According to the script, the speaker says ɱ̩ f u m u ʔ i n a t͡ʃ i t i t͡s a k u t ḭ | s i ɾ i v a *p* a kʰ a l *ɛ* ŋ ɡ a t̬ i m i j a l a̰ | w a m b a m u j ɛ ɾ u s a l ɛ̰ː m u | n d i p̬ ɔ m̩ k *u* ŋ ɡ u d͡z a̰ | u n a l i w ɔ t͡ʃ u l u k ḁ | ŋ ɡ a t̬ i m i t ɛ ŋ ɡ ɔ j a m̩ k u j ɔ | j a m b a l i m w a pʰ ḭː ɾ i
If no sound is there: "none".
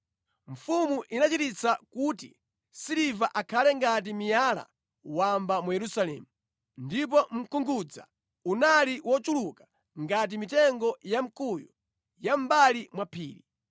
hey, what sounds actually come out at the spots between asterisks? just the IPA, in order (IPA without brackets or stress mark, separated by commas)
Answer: ʔ, ɛ, u